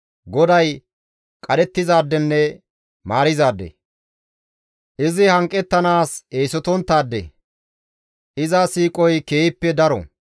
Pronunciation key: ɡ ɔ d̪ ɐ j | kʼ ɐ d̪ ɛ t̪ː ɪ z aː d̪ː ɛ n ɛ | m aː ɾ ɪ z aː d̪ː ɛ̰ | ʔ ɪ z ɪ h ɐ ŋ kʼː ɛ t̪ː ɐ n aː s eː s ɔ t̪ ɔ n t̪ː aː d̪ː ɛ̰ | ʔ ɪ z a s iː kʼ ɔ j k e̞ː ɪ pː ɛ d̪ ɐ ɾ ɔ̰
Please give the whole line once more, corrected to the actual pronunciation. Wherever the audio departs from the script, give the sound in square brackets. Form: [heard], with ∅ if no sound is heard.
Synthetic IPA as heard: ɡ ɔ d̪ ɐ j | kʼ ɐ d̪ ɛ t̪ː ɪ z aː d̪ː ɛ [nː] ɛ | m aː ɾ ɪ z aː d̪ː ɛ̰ | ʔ ɪ z ɪ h ɐ ŋ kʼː ɛ t̪ː ɐ n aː s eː s ɔ t̪ ɔ n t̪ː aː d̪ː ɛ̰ | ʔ ɪ z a s iː kʼ ɔ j k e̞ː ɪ pː ɛ d̪ ɐ ɾ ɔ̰